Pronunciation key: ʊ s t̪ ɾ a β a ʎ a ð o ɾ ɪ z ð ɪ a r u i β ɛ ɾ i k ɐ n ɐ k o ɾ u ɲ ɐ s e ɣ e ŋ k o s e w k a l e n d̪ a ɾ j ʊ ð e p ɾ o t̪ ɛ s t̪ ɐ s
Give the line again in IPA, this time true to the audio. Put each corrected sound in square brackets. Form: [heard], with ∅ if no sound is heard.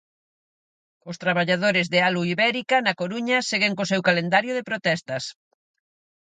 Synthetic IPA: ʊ s t̪ ɾ a β a ʎ a ð o ɾ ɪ z ð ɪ a [l] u i β ɛ ɾ i k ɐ n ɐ k o ɾ u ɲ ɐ s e ɣ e ŋ k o s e w k a l e n d̪ a ɾ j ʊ ð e p ɾ o t̪ ɛ s t̪ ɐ s